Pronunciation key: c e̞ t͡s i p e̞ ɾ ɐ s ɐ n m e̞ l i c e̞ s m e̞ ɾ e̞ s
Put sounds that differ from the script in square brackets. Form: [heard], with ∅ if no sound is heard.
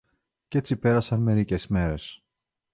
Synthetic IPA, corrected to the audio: c e̞ t͡s i p e̞ ɾ ɐ s ɐ n m e̞ [ɾ] i c e̞ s m e̞ ɾ e̞ s